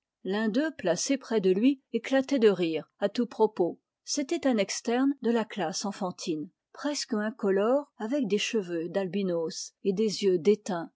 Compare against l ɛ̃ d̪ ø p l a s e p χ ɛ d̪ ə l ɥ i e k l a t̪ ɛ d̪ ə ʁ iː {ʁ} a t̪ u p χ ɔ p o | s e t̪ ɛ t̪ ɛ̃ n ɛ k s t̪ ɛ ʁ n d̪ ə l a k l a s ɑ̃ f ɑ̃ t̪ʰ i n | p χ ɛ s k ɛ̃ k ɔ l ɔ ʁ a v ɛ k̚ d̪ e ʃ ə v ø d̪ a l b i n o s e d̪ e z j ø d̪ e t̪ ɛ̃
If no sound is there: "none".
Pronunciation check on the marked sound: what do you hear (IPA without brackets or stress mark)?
ʁ